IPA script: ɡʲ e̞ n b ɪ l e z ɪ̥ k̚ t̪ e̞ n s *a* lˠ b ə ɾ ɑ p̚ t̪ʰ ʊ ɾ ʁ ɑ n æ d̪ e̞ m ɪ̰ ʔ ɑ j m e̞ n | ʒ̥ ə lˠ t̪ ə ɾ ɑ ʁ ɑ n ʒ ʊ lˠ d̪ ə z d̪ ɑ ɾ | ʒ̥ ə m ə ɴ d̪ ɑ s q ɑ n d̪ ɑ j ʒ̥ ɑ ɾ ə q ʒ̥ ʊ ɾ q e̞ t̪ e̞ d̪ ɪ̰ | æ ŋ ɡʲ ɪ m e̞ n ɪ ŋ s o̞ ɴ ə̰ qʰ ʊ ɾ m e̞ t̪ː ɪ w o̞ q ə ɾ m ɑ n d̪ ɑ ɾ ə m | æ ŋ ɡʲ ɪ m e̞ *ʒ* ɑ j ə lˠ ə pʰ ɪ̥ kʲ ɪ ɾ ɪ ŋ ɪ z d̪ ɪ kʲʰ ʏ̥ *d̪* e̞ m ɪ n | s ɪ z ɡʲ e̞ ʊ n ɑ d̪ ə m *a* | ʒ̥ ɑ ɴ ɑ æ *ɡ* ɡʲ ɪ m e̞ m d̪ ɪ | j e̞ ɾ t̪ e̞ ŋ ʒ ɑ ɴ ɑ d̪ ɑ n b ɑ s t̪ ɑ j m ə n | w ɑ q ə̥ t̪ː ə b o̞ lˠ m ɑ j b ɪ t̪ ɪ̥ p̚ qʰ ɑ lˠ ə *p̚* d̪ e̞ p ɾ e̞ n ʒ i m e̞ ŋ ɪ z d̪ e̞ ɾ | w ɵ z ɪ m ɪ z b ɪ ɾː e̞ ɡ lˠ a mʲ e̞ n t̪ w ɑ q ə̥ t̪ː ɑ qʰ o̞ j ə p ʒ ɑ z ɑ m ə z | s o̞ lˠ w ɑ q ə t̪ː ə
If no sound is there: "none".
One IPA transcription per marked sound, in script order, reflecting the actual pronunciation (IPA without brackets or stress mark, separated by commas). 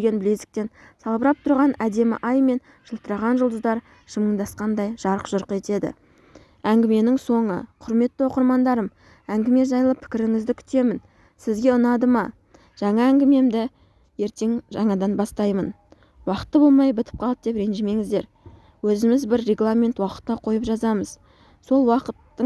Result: ɑ, ʒ, t̪, ɑ, ŋ, p̚